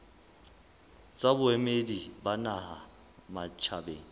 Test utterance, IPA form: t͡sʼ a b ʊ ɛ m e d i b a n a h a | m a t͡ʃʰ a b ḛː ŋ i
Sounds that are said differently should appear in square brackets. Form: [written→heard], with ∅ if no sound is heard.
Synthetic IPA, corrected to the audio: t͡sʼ a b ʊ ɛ m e d i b a n a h a | m a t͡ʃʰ a b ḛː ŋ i

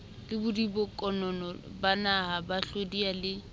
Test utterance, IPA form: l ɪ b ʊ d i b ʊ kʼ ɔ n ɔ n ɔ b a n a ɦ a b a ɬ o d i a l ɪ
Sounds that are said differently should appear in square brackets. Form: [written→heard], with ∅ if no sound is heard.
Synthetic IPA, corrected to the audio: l ɪ b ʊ d i b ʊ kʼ ɔ n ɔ n ɔ b a n a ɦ a b a ɬ o d i a l ɪ

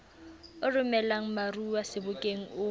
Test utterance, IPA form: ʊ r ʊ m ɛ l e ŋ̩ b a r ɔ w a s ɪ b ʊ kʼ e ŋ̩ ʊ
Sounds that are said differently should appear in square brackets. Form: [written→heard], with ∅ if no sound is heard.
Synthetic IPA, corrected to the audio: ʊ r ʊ m ɛ l [e→a] ŋ̩ [b→m] a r [ɔ→u] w a s ɪ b ʊ kʼ e ŋ̩ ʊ

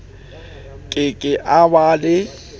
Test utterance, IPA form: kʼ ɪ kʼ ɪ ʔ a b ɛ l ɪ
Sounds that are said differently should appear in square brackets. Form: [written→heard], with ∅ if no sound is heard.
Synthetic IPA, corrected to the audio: kʼ ɪ kʼ ɪ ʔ a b [ɛ→a] l ɪ

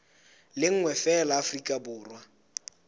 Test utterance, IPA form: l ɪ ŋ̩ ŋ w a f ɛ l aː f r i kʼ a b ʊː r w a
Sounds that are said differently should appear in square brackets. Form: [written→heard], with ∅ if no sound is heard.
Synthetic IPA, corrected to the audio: l ɪ ŋ̩ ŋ w [a→ɛ] f ɛ l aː f r i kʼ a b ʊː r w a

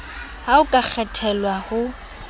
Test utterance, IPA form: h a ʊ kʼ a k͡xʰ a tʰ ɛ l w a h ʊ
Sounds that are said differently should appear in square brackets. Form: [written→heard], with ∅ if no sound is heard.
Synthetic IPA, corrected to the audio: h a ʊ kʼ a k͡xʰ [a→ɛ] tʰ ɛ l w a h ʊ

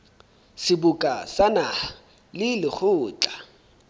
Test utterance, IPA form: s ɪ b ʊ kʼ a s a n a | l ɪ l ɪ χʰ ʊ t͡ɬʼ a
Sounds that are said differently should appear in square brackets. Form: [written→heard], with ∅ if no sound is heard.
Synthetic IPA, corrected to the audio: s ɪ b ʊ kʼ a s a n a | l ɪ l ɪ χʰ [ʊ→ʊː] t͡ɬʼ a

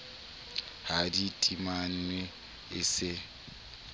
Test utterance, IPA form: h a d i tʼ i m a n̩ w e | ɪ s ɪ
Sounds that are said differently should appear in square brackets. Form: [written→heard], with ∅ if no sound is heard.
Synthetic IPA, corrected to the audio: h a d i tʼ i m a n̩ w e | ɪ s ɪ

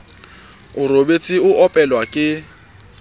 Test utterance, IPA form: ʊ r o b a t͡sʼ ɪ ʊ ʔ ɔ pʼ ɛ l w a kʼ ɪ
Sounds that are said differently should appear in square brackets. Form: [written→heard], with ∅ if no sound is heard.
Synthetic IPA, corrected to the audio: ʊ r o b [a→e] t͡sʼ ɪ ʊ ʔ ɔ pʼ ɛ l w a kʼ ɪ

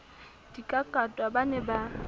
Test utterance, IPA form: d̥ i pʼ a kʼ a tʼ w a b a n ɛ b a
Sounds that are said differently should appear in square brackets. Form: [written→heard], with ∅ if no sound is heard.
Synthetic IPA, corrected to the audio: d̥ i [pʼ→kʼ] a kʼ a tʼ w a b a n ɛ b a

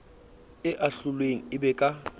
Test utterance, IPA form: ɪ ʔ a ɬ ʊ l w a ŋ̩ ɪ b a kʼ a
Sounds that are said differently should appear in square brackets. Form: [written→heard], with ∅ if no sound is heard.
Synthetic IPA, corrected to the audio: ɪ ʔ a ɬ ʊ l w [a→e] ŋ̩ ɪ b [a→ɛ] kʼ a

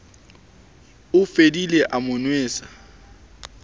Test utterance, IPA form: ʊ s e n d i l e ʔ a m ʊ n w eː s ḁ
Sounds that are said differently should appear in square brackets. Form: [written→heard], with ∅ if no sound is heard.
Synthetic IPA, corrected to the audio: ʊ [s→f] e [n→∅] d i l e ʔ a m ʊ n w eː s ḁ

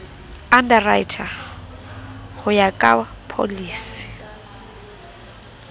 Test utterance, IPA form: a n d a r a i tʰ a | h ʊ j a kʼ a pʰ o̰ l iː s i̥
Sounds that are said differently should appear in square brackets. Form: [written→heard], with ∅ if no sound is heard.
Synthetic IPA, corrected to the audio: a n d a r a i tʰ a | h ʊ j a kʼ a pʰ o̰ l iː s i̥

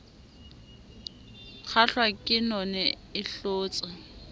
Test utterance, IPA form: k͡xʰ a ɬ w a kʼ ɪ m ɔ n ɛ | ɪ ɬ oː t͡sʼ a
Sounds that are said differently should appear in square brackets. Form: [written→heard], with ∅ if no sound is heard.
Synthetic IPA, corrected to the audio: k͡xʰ a ɬ w a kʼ ɪ [m→n] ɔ n ɛ | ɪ ɬ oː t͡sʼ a

